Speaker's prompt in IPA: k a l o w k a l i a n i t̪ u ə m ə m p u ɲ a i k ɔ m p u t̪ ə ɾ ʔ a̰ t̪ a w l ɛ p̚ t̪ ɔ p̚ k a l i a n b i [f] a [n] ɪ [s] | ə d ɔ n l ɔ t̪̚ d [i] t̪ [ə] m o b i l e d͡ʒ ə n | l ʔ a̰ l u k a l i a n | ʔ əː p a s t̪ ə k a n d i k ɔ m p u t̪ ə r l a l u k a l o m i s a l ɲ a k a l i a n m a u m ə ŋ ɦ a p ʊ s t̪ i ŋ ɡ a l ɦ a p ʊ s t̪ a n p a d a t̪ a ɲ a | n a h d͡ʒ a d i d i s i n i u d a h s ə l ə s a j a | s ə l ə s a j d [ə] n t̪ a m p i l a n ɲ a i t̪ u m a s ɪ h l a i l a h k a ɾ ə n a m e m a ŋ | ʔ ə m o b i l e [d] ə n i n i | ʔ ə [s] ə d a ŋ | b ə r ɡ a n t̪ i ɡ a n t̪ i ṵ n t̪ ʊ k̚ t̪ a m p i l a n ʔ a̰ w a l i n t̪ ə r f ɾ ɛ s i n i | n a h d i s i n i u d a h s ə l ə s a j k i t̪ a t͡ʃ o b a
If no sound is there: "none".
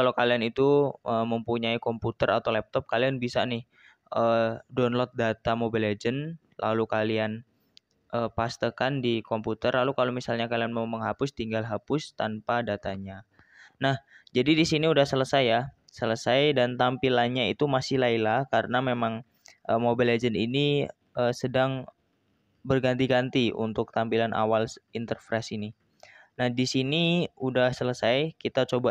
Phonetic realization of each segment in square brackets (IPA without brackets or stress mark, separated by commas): s, n, h, a, a, a, d͡ʒ, s